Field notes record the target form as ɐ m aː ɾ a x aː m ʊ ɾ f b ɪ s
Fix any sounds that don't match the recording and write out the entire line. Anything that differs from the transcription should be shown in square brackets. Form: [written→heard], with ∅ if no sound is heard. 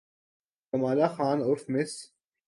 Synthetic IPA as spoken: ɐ m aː [ɾ→l] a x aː [m→n] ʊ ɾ f [b→m] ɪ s